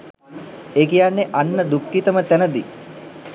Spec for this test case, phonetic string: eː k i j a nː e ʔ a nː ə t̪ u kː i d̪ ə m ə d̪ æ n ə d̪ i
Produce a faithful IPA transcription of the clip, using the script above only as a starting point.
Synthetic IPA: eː k i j a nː e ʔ a nː ə d̪ u kː i t̪ ə m ə t̪ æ n ə d̪ i